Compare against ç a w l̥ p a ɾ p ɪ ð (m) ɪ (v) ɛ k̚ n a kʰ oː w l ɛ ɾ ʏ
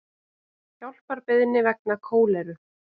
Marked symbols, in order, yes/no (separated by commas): no, yes